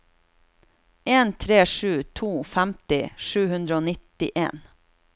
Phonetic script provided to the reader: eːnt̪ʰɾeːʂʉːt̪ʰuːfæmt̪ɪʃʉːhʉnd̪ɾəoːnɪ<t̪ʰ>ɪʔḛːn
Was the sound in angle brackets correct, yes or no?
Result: no